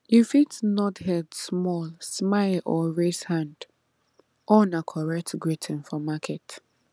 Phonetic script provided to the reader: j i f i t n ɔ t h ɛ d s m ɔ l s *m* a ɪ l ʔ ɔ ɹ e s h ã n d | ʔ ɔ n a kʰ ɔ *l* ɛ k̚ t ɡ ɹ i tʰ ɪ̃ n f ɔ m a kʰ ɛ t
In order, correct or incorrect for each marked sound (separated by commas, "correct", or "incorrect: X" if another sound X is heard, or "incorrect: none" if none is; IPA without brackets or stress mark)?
correct, incorrect: ɹ